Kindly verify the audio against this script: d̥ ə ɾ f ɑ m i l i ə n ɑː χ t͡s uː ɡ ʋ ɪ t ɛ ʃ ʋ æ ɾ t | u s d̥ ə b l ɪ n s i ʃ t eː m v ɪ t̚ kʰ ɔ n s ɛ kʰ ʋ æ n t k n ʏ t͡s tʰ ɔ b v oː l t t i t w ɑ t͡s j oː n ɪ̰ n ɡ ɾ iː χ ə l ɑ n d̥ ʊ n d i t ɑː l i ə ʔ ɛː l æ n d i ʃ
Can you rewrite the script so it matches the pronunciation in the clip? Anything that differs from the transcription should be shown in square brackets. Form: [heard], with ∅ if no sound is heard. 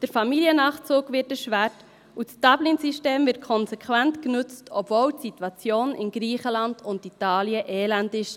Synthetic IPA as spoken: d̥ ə ɾ f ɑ m i l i ə n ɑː χ t͡s uː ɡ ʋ ɪ t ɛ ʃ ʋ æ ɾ t | u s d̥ [ɑ] b l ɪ n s i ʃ t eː m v ɪ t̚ kʰ ɔ n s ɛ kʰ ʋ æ n t k n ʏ t͡s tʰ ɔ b v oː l t [s] i t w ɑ t͡s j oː n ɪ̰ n ɡ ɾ iː χ ə l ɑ n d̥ ʊ n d i t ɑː l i ə ʔ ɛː l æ n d [ɪ] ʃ